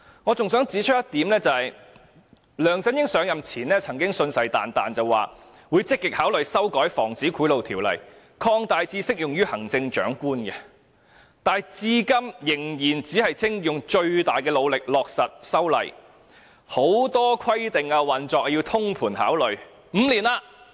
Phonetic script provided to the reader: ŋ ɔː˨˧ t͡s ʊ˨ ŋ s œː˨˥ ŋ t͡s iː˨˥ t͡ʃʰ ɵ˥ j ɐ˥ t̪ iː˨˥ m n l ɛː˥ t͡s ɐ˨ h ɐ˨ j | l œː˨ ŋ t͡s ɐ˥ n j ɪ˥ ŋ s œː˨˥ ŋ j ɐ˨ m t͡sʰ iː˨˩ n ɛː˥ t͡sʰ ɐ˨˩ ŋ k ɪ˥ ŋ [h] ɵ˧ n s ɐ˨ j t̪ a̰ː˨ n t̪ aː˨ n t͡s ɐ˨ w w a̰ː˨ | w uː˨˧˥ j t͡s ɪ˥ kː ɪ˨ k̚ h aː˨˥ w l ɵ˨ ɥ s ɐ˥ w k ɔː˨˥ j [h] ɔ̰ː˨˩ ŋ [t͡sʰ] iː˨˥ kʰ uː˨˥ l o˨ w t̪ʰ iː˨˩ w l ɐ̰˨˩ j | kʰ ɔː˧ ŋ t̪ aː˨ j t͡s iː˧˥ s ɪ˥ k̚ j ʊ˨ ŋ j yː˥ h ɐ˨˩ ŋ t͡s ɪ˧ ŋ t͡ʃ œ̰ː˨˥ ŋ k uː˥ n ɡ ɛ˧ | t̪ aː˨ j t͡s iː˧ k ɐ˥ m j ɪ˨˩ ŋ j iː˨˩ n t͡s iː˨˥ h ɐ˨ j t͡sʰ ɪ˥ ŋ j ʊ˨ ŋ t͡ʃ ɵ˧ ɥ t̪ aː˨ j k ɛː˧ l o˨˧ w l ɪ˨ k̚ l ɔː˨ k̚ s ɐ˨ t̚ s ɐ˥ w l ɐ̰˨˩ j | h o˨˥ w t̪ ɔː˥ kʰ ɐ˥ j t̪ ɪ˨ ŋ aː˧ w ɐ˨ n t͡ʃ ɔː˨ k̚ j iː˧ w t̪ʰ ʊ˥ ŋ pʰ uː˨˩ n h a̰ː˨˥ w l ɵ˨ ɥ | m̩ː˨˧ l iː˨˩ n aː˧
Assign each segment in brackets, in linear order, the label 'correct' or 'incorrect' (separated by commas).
incorrect, incorrect, incorrect